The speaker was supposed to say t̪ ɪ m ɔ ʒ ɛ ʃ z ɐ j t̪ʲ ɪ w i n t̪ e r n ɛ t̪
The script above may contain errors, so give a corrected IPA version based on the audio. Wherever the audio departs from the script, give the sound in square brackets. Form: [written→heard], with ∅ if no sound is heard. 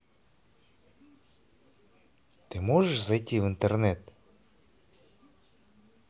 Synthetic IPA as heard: t̪ ɪ m ɔ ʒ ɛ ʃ z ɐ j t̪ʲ ɪ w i n t̪ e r n ɛ t̪